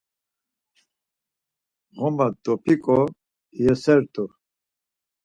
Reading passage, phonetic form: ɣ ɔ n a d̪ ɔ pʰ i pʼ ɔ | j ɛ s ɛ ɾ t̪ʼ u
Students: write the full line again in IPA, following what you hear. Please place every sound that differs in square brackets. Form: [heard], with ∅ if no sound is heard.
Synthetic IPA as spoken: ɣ ɔ [m] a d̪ ɔ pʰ i [kʼ] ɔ | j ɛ s ɛ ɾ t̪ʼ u